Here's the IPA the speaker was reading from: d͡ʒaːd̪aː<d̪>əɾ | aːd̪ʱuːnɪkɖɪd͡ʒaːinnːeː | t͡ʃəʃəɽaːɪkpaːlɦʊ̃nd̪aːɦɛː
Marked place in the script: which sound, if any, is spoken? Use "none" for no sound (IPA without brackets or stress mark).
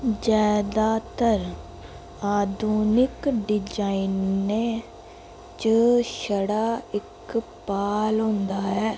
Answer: t̪